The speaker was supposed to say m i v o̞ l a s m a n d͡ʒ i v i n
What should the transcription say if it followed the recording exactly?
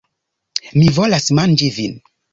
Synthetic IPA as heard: m i v o̞ l a s m a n d͡ʒ i v i n